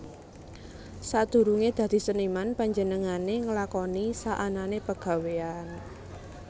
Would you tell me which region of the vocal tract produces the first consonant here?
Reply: tongue tip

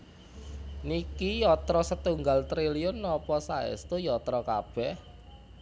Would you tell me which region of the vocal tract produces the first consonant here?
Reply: tongue tip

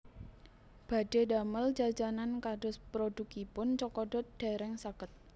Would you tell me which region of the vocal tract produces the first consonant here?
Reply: lips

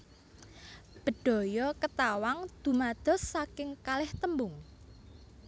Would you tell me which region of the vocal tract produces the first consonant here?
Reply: lips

